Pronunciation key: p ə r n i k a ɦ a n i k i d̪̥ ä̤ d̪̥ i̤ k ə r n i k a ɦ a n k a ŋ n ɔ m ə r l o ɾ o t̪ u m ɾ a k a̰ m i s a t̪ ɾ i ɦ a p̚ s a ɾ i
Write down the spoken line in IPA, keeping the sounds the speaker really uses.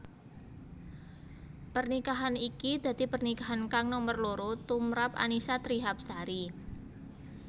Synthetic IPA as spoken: p ə r n i k a ɦ a n i k i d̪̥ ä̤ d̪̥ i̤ p ə r n i k a ɦ a n k a ŋ n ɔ m ə r l o ɾ o t̪ u m ɾ a p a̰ n i s a t̪ ɾ i ɦ a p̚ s a ɾ i